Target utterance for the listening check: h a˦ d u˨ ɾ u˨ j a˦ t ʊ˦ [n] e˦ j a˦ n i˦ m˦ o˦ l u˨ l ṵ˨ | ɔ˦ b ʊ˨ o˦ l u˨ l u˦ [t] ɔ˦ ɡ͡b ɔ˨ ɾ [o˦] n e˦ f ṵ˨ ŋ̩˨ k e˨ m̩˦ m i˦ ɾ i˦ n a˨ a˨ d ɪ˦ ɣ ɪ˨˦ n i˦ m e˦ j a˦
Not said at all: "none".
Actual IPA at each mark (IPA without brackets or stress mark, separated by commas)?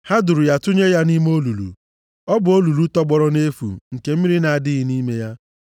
ɲ, t, ɔ˦